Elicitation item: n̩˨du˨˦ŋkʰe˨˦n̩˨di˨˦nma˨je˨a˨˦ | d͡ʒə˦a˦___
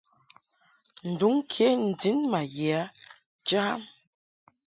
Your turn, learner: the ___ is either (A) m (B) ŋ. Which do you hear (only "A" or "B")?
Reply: A